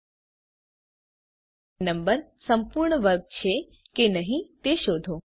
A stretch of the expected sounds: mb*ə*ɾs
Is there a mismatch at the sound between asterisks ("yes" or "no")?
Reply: no